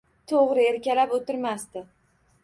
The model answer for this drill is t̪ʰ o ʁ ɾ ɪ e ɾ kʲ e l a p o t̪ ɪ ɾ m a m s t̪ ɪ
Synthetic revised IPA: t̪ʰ o ʁ ɾ ɪ e ɾ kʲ a l a p o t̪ ɪ ɾ m a s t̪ ɪ